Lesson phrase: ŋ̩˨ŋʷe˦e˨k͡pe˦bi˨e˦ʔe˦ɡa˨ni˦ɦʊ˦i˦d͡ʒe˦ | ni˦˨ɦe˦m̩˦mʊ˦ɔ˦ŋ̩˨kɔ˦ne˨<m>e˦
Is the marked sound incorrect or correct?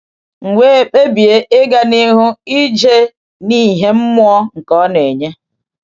incorrect